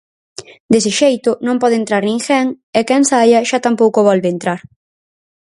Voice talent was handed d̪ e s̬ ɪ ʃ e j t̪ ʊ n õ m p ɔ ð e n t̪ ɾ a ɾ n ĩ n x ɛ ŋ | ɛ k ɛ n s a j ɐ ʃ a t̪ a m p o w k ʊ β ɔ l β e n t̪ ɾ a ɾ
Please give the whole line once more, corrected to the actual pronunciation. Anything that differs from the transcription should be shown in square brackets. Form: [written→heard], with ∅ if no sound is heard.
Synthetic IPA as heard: d̪ e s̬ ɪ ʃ e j t̪ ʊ n õ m p ɔ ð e n t̪ ɾ a ɾ n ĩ [n→ŋ] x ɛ ŋ | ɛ k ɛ n s a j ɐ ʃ a t̪ a m p o w k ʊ β ɔ l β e n t̪ ɾ a ɾ

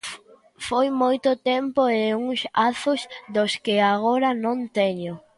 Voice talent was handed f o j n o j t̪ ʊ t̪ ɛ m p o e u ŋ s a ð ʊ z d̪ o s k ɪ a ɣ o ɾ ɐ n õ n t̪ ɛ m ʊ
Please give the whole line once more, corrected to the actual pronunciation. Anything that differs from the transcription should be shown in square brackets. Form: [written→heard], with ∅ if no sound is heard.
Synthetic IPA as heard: f o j [n→m] o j t̪ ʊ t̪ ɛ m p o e u ŋ s a [ð→θ] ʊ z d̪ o s k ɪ a ɣ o ɾ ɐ n õ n t̪ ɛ [m→ɲ] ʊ

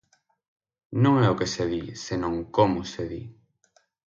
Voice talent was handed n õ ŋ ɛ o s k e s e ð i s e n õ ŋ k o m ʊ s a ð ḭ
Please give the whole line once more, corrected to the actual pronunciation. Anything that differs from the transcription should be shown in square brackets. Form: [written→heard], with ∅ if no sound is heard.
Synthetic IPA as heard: n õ ŋ ɛ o [s→∅] k e s e ð i s e n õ ŋ k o m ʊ s [a→e] ð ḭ

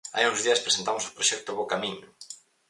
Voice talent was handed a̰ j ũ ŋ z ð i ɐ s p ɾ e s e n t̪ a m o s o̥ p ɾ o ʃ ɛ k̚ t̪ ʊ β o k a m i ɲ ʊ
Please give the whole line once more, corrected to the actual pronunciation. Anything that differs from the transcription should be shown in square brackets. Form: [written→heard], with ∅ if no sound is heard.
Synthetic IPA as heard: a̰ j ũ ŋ z ð i ɐ s p ɾ e s e n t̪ a m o s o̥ p ɾ o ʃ ɛ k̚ t̪ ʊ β o k a m i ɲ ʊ

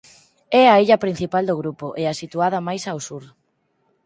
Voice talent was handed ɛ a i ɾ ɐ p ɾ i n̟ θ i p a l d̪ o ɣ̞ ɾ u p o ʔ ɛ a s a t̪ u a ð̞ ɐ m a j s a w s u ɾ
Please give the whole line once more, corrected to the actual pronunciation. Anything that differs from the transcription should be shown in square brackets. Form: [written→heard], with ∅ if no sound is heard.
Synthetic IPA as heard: ɛ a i [ɾ→ʎ] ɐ p ɾ i n̟ θ i p a l d̪ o ɣ̞ ɾ u p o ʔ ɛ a s [a→i] t̪ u a ð̞ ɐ m a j s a w s u ɾ

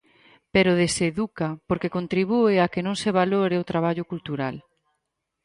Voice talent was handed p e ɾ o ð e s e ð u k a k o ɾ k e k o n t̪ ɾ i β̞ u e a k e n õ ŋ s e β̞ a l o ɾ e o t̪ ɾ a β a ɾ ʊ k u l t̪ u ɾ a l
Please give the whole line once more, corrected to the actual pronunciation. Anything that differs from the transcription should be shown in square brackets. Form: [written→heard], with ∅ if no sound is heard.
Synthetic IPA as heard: p e ɾ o ð e s e ð u k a [k→p] o ɾ k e k o n t̪ ɾ i β̞ u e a k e n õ ŋ s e β̞ a l o ɾ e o t̪ ɾ a β a [ɾ→ʎ] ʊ k u l t̪ u ɾ a l

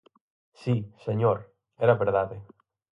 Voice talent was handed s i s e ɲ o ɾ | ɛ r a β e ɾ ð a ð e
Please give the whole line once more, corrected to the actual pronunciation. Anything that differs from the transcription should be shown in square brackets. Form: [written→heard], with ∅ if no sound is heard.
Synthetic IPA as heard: s i s e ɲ o ɾ | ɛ [r→ɾ] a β e ɾ ð a ð e

